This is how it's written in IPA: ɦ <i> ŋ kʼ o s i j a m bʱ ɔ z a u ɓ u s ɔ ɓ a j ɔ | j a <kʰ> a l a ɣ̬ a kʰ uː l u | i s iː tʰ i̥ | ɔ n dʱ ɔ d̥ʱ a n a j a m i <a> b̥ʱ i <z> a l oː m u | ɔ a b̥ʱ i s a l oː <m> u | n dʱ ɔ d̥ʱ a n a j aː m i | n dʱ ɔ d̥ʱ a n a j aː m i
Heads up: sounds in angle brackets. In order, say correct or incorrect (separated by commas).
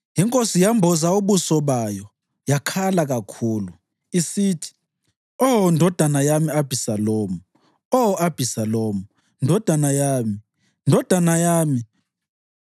correct, correct, correct, incorrect, correct